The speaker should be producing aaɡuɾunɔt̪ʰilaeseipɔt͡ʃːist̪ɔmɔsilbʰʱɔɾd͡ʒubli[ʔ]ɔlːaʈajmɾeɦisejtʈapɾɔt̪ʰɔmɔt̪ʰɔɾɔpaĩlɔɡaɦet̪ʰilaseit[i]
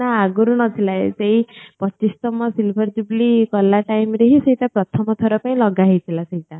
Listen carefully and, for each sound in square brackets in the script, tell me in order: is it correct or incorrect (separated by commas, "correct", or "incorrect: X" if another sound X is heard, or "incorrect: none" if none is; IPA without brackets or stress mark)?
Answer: incorrect: k, incorrect: a